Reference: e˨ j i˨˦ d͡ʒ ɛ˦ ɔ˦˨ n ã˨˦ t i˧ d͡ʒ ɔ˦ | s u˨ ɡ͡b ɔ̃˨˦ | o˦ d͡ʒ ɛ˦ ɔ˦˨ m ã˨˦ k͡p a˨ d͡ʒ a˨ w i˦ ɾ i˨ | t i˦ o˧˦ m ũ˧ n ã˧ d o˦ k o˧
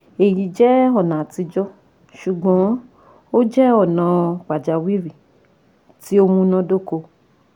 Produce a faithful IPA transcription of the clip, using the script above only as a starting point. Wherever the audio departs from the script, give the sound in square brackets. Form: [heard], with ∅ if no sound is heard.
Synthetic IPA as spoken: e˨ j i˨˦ d͡ʒ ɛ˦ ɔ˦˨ n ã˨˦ t i˧ d͡ʒ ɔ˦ | [ʃ] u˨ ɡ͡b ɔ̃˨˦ | o˦ d͡ʒ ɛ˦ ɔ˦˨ [n] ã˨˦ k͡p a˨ d͡ʒ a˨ w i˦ ɾ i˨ | t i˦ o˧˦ m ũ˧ n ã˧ d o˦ k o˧